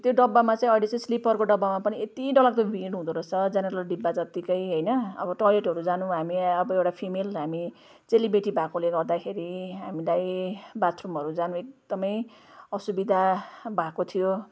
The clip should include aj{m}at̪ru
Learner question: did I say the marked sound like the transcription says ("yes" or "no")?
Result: no